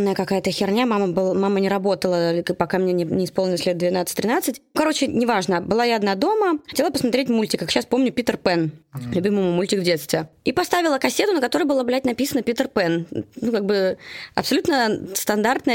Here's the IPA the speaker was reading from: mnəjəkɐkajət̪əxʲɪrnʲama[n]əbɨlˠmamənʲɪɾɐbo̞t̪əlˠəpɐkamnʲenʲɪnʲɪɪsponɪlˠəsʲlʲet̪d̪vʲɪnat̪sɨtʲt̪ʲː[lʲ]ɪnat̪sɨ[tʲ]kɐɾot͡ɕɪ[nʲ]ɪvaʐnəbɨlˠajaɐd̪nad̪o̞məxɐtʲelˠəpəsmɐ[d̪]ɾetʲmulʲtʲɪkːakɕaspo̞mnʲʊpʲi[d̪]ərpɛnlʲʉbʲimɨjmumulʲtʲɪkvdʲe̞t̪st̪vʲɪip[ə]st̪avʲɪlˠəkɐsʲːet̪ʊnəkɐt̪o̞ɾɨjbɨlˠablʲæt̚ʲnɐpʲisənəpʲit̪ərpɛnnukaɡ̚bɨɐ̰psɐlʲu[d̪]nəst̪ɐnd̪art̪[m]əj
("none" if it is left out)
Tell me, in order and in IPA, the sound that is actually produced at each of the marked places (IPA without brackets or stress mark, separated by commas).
m, ɾʲ, tʲ, nʲ, t̪, t̪, ɐ, t̪, n